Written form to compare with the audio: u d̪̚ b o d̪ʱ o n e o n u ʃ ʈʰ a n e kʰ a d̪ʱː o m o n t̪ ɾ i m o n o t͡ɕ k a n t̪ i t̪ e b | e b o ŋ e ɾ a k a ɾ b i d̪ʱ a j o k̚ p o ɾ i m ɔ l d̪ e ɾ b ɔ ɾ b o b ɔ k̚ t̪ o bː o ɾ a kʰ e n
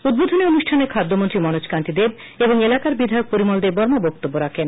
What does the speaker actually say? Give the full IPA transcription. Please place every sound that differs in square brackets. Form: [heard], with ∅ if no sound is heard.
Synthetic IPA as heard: u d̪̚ b o d̪ʱ o n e o n u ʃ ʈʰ a n e kʰ a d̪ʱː o m o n t̪ ɾ i m [ɔ] n o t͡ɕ k a n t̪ i [d̪] e b | e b o ŋ e [l] a k a ɾ b i d̪ʱ a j o k̚ p o ɾ i m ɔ l d̪ e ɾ b ɔ ɾ [m] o b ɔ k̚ t̪ o bː o ɾ a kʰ e n

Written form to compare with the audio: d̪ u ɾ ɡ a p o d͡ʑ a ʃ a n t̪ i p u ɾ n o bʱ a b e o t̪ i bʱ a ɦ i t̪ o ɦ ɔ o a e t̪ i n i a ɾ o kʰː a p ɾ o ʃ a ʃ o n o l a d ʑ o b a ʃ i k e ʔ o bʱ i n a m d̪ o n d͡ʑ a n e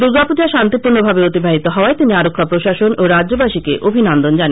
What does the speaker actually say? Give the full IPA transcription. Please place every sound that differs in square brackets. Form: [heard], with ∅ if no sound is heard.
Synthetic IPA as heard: d̪ u ɾ ɡ a p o d͡ʑ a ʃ a n t̪ i p u ɾ n o bʱ a b e o t̪ i bʱ a ɦ i t̪ o ɦ ɔ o a e t̪ i n i a ɾ o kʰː a p ɾ o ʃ a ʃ o n o [ɾ] a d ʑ o b a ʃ i k e ʔ o bʱ i n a [n] d̪ o n d͡ʑ a n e

